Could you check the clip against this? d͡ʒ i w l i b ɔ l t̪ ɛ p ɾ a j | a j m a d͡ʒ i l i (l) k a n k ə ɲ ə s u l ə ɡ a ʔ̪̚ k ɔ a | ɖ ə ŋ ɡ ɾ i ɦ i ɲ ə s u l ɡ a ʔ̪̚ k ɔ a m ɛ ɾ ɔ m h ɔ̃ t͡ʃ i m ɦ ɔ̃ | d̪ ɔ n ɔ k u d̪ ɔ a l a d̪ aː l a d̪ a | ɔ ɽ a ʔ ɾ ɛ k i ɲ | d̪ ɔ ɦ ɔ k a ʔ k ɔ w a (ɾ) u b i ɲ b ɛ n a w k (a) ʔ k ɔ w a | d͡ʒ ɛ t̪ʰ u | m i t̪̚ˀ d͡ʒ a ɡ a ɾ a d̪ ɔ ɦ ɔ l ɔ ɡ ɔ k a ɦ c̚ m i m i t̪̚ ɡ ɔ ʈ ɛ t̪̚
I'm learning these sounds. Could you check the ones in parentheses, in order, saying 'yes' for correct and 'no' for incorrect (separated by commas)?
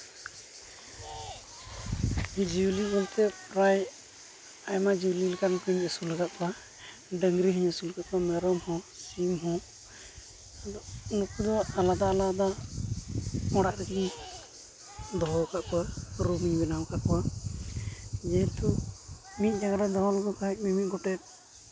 yes, yes, yes